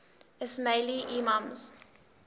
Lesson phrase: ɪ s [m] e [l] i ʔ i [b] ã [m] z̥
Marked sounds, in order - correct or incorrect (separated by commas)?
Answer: correct, correct, incorrect, correct